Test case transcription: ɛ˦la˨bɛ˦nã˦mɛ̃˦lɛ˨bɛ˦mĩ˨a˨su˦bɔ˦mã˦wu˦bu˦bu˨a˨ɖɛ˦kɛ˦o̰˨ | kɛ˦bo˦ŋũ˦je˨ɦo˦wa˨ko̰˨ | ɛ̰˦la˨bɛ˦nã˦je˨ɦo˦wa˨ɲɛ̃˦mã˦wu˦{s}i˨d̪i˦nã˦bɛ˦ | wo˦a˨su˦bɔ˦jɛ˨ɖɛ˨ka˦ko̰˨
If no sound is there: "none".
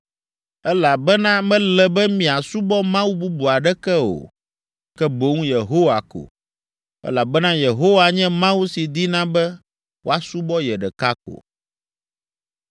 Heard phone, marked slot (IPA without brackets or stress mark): s